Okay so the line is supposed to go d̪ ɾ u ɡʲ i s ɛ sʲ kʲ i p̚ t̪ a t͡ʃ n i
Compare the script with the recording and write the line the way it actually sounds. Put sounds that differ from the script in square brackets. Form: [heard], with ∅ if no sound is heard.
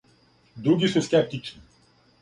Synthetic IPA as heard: d̪ ɾ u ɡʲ i s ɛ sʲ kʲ [ɛ] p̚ t̪ [i] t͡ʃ n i